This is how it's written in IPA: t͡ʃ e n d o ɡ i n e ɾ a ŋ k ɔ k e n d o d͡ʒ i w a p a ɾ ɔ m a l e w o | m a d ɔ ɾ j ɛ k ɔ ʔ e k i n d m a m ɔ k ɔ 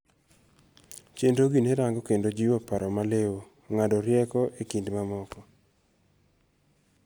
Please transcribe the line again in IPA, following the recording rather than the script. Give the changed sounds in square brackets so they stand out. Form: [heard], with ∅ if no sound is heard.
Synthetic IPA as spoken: t͡ʃ e n d o ɡ i n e ɾ a ŋ [ɡ] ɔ k e n d o d͡ʒ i w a p a ɾ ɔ m a l e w o | [ŋ] a d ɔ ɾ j ɛ k ɔ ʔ e k i n d m a m ɔ k ɔ